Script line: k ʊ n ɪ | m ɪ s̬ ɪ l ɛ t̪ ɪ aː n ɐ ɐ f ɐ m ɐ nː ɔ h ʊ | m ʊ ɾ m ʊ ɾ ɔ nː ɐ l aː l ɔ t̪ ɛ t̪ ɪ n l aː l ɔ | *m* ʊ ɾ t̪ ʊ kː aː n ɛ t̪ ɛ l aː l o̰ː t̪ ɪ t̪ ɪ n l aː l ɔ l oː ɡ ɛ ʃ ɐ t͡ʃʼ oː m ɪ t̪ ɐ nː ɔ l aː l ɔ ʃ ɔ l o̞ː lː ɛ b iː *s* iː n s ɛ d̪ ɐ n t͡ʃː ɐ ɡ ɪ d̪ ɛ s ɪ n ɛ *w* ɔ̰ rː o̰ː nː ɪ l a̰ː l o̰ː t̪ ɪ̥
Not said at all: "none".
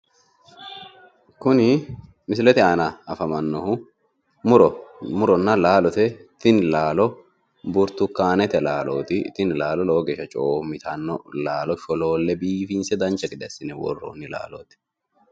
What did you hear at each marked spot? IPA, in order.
b, f, w

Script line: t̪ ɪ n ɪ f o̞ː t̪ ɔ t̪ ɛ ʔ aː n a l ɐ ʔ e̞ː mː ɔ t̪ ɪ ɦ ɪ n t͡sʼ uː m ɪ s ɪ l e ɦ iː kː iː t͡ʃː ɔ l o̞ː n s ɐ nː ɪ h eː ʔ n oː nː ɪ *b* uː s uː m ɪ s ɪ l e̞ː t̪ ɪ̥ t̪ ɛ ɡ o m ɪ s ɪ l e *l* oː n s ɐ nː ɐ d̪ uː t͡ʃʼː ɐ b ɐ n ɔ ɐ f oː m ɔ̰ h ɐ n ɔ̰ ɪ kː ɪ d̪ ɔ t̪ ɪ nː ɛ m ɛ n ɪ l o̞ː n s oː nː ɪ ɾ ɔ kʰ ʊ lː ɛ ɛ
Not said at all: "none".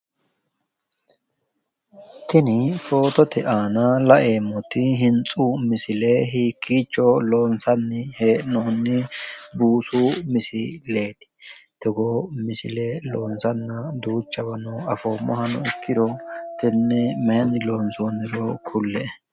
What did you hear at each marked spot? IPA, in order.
b, l

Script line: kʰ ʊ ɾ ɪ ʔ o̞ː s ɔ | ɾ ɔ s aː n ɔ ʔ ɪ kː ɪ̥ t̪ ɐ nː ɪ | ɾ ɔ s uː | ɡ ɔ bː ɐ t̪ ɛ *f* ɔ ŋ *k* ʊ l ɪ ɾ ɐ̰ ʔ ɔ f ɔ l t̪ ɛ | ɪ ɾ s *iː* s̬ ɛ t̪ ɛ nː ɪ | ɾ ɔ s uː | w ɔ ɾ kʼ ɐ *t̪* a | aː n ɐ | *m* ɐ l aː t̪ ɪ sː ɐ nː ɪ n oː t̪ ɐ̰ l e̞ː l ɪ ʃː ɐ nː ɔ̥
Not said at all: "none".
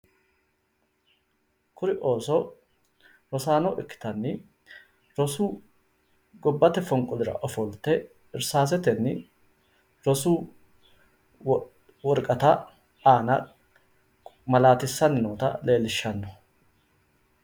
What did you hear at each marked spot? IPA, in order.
f, kʼ, aː, t̪, m

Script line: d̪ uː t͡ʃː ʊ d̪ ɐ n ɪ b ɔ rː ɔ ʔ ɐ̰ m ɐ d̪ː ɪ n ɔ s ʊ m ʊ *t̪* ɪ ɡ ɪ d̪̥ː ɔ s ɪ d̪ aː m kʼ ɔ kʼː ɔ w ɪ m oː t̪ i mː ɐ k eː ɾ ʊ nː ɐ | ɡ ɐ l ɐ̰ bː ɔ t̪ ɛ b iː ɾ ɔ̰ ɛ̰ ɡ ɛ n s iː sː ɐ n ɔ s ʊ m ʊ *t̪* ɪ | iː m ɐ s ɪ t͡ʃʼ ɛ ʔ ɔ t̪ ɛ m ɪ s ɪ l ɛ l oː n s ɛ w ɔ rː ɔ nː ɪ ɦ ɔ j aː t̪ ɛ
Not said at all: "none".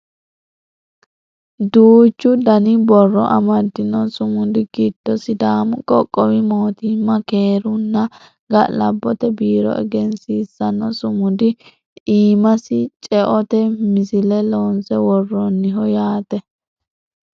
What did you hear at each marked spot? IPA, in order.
d̪, d̪

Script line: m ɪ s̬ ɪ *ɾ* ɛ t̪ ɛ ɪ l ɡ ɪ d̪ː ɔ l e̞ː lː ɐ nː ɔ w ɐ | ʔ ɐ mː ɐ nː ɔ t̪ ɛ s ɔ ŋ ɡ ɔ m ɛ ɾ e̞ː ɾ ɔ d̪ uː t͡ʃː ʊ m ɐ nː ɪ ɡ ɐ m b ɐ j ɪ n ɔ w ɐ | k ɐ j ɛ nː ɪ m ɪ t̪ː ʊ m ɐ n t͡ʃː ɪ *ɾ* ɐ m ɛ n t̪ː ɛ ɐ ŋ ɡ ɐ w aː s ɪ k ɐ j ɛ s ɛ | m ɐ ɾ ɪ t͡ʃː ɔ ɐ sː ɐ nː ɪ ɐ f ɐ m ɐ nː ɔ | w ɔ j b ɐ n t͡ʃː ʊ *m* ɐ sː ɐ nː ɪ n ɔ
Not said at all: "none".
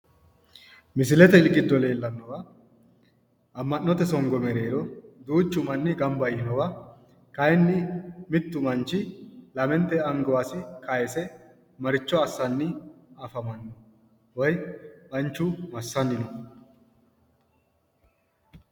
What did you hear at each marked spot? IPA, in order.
l, l, m

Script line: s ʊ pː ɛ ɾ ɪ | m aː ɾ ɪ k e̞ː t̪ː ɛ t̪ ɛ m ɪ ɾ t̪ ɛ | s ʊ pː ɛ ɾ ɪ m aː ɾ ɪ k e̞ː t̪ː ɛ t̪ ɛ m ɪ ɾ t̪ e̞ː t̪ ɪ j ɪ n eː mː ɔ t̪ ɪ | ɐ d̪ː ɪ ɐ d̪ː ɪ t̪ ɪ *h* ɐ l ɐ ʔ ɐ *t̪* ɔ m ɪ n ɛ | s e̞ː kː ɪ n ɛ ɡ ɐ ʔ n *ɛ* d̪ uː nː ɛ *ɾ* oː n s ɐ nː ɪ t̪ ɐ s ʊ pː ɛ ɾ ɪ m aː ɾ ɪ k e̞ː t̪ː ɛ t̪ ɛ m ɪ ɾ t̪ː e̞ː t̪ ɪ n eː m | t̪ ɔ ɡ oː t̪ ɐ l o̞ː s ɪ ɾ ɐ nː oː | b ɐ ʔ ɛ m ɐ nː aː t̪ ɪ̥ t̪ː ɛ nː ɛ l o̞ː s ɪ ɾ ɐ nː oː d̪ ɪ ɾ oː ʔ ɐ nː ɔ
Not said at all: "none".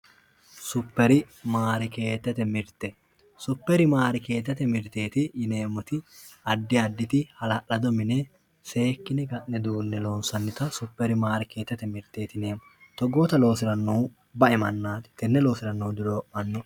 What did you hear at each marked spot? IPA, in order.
h, d̪, ɛ, l

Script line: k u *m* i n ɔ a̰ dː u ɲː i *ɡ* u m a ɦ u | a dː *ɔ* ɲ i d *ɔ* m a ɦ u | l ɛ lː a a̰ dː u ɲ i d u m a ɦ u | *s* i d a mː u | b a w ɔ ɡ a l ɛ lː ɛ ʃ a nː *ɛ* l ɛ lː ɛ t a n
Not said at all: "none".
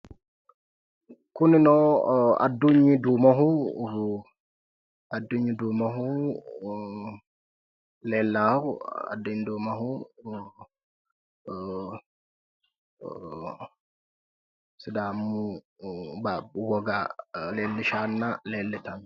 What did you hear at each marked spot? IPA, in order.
n, d, u, u, s, a

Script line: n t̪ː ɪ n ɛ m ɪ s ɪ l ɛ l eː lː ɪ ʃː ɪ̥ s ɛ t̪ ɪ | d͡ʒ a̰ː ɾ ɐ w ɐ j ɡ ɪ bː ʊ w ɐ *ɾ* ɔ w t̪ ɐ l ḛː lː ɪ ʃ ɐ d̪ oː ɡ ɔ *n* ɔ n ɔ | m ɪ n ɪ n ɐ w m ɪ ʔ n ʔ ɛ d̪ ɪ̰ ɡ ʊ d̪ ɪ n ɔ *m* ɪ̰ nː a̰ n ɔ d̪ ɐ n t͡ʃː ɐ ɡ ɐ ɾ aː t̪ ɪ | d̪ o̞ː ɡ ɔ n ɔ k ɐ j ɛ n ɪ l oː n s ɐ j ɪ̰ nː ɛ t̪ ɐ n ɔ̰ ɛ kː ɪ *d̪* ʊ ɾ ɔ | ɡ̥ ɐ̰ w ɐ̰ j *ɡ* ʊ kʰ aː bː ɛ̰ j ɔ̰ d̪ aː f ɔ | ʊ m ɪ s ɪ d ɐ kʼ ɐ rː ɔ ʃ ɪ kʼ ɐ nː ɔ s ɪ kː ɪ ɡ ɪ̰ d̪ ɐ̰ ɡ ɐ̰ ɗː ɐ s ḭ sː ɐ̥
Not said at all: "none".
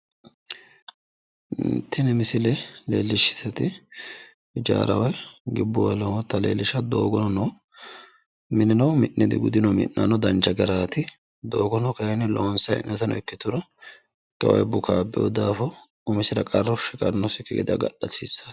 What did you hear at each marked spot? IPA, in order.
l, n, m, t̪, b

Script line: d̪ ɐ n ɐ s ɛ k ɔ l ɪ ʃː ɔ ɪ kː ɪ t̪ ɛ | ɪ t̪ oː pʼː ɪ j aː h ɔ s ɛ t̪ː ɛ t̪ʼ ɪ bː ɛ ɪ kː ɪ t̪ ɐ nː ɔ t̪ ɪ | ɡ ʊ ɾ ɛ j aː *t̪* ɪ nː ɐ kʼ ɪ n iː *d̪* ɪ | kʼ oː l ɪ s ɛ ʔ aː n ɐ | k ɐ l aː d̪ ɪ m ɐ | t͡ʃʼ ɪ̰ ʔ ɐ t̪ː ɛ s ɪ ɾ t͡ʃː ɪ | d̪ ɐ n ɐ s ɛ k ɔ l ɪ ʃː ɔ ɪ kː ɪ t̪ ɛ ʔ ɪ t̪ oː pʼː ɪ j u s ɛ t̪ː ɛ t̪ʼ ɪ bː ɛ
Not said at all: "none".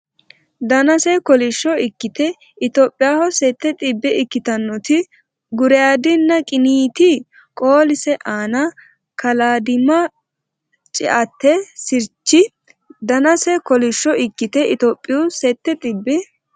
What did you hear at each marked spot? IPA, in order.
d̪, t̪

